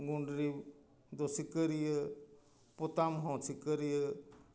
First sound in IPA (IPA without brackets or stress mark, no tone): ɡ